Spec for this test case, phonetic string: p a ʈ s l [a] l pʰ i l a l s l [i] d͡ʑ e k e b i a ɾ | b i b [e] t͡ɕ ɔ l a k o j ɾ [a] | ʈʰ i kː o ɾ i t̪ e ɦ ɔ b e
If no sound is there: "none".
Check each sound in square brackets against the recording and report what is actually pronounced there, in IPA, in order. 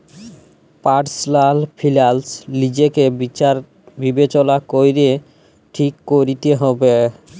a, i, e, e

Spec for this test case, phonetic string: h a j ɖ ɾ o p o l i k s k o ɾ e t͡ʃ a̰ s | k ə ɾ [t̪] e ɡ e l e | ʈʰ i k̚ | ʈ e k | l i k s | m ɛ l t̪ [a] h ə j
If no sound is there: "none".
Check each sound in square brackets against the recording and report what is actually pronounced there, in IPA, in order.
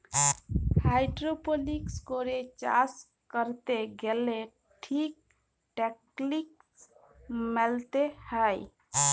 t̪, e

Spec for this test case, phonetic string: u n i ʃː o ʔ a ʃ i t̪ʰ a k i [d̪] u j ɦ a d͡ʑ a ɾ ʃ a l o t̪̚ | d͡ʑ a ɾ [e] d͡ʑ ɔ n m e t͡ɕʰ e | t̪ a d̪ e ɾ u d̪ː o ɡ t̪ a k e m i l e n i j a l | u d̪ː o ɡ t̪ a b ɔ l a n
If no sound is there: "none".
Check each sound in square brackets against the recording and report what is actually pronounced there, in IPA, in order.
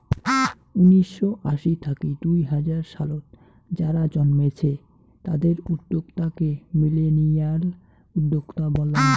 d̪, a

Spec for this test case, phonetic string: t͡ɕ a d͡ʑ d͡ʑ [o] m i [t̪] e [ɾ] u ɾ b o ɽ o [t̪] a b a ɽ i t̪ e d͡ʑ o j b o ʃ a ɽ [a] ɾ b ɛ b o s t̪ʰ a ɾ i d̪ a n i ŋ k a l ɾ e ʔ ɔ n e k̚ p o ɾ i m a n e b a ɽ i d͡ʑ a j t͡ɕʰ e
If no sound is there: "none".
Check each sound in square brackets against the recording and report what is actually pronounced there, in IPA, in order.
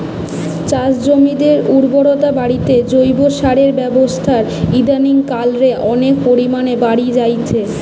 o, d̪, ɾ, t̪, e

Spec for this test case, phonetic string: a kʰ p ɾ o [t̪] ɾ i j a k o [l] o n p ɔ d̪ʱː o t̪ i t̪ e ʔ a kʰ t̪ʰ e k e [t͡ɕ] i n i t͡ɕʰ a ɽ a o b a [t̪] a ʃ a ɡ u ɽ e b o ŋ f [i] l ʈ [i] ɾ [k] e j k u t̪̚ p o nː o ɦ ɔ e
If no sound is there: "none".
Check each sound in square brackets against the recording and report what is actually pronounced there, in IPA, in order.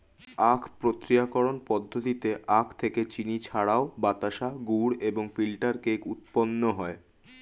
t̪, ɾ, t͡ɕ, t̪, i, a, k

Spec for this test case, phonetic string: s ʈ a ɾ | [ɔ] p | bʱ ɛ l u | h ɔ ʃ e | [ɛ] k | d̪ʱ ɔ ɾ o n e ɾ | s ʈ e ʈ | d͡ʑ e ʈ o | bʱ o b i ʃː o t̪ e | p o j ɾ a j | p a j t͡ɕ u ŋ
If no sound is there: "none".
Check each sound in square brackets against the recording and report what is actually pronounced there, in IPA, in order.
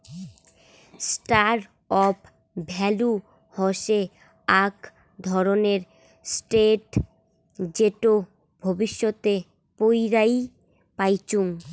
ɔ, a

